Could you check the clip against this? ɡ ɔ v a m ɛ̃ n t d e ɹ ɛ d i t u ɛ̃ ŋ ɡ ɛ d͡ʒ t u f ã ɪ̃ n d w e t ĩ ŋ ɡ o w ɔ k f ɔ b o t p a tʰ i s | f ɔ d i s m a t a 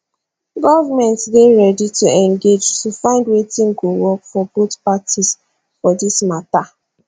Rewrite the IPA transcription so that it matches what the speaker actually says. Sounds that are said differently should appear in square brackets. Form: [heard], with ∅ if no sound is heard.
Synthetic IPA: ɡ ɔ v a m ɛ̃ n t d e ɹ ɛ d i t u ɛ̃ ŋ ɡ [e] d͡ʒ t u f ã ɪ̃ n d w e t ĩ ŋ ɡ o w ɔ k f ɔ b o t p a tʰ i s | f ɔ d i s m a t a